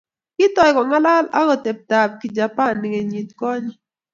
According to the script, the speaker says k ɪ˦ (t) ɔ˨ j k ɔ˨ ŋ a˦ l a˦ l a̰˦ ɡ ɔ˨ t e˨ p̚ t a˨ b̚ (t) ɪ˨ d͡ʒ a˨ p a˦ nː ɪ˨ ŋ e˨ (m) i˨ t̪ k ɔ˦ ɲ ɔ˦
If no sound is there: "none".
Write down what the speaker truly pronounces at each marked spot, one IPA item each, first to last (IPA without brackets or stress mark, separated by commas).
t, k, ɲ